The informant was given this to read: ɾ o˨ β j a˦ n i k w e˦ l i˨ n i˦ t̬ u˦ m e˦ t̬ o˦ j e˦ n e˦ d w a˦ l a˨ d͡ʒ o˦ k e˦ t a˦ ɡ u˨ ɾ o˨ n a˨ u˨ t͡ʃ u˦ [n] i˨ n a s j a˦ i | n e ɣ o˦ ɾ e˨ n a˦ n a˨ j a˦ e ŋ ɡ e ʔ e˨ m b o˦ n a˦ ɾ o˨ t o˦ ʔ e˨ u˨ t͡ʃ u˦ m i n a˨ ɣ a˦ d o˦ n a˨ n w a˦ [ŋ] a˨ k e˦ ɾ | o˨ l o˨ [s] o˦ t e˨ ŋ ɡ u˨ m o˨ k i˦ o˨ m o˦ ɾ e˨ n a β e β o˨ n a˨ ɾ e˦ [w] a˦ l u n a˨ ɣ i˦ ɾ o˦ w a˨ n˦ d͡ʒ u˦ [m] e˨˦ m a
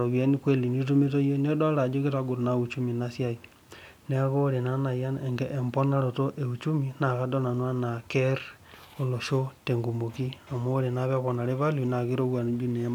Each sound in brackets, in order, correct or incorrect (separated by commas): incorrect, incorrect, incorrect, incorrect, incorrect